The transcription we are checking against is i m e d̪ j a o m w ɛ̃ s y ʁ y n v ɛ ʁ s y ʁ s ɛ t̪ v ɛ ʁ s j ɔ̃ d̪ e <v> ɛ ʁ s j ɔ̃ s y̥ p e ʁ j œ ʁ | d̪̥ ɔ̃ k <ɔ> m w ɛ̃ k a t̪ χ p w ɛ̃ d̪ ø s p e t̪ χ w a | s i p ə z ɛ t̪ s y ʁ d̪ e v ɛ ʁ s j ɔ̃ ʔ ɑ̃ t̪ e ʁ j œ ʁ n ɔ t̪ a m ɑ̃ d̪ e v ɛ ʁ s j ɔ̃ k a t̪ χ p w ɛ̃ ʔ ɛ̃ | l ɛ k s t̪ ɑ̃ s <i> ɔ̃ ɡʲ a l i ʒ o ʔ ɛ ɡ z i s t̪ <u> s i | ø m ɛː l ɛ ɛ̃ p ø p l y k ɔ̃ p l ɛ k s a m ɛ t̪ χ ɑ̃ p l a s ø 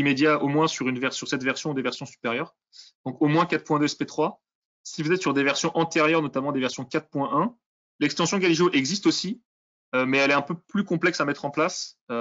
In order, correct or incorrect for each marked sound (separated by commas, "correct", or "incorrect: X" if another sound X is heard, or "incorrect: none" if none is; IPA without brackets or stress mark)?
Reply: correct, incorrect: o, incorrect: j, incorrect: o